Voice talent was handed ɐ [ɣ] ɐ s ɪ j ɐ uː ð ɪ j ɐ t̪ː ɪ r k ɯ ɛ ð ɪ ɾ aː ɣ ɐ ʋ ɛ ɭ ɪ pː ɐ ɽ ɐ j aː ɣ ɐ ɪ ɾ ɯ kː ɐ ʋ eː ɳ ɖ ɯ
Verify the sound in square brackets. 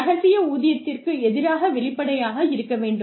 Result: correct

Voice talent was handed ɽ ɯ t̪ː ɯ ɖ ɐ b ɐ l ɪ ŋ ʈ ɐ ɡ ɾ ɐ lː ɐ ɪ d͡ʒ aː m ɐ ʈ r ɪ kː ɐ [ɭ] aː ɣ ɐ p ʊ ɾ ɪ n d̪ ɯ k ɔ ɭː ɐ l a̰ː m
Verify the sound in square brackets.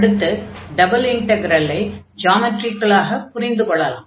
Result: correct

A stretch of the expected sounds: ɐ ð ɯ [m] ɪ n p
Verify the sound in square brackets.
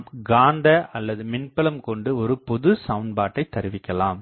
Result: correct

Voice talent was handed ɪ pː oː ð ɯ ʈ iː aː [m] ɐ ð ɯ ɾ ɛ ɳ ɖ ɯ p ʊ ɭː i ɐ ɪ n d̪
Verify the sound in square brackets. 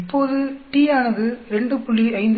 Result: incorrect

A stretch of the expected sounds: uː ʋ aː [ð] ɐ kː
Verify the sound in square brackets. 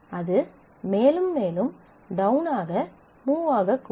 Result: incorrect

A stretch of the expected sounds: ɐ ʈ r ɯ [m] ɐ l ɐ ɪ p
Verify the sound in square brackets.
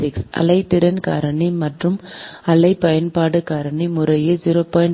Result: correct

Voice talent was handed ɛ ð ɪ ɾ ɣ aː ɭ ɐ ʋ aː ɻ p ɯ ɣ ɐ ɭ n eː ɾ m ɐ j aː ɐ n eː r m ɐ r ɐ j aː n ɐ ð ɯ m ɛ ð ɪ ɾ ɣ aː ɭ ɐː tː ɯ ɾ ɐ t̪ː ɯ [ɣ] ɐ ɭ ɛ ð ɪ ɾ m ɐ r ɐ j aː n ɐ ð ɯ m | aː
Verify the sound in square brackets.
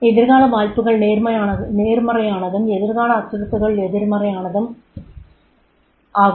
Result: correct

